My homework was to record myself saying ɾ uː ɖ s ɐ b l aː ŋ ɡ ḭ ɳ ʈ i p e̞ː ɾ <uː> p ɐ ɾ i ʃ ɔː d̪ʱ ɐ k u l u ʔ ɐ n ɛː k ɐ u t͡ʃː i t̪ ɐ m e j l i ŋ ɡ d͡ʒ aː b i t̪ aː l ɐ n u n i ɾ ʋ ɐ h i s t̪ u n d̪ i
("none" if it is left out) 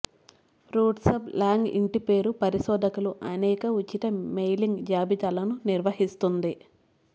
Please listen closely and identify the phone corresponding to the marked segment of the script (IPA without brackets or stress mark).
u